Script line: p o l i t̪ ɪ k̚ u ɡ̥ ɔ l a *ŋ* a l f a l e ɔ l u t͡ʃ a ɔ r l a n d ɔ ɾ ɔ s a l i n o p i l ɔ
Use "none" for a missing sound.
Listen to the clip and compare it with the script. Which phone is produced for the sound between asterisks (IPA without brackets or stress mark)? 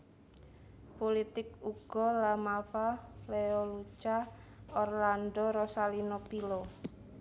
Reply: m